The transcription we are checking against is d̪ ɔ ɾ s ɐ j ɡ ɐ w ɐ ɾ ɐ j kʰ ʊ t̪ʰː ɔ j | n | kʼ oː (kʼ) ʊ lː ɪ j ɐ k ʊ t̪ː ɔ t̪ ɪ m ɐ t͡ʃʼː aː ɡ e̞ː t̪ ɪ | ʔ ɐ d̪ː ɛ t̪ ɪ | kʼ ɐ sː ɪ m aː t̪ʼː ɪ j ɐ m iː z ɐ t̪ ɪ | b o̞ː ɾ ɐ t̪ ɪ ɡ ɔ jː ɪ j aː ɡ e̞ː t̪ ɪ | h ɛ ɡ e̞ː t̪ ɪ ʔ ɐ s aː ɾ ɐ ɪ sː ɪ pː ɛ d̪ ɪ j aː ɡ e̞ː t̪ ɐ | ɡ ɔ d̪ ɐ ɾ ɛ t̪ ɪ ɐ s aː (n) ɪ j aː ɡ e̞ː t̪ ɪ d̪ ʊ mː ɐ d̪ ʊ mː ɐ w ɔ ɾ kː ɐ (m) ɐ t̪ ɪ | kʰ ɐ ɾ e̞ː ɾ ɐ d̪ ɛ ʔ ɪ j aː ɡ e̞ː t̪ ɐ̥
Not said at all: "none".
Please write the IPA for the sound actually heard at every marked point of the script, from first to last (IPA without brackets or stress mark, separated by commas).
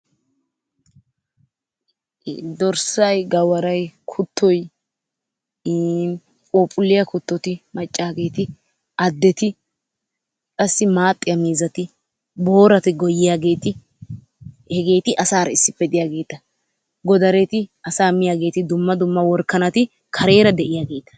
pʼ, m, n